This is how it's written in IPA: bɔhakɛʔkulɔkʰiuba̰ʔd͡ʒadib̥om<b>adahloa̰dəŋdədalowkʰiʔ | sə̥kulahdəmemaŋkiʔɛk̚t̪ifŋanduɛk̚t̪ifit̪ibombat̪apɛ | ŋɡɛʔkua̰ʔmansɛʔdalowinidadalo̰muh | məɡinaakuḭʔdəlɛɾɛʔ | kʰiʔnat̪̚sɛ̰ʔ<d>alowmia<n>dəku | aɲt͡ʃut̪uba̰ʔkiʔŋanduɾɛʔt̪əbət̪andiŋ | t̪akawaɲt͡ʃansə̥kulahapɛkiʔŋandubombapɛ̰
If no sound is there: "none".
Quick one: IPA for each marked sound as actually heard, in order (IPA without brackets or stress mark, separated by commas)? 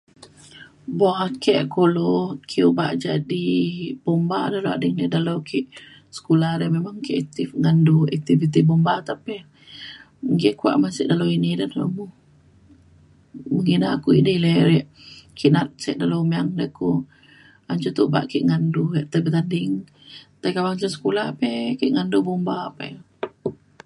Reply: b, d, ŋ